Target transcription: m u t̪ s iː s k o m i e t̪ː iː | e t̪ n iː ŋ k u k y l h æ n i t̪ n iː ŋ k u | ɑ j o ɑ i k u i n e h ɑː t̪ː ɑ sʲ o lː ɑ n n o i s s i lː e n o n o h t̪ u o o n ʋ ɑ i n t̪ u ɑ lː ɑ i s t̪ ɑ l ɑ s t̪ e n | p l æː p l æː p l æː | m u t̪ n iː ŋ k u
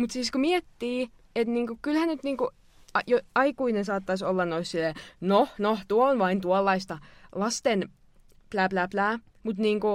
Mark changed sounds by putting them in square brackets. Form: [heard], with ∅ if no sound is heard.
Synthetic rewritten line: m u t̪ s iː s k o m i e t̪ː iː | e t̪ n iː ŋ k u k y l h æ n [y] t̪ n iː ŋ k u | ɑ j o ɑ i k u i n e [s] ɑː t̪ː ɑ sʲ o lː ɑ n n o i s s i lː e n o n o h t̪ u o o n ʋ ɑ i n t̪ u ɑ lː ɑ i s t̪ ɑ l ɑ s t̪ e n | p l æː p l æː p l æː | m u t̪ n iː ŋ k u